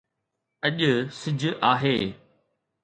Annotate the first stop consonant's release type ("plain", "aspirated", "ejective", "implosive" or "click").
implosive